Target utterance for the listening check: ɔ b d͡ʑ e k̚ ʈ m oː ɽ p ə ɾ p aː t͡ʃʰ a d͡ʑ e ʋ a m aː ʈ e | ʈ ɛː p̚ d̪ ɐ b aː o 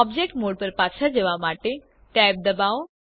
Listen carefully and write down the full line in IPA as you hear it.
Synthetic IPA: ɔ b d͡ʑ e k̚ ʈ m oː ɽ p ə ɾ p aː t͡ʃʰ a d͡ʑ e ʋ a m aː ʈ e | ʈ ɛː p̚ d̪ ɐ b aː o